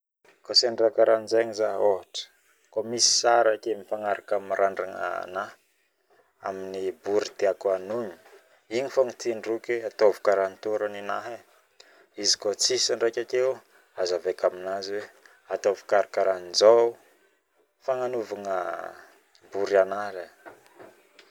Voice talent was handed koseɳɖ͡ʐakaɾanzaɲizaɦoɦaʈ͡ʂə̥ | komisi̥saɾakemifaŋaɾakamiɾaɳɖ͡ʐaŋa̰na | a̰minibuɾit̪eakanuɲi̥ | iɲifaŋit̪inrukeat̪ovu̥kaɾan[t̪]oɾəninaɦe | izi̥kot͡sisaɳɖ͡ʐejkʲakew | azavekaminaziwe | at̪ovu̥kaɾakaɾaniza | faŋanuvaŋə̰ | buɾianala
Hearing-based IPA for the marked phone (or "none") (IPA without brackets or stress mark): t̪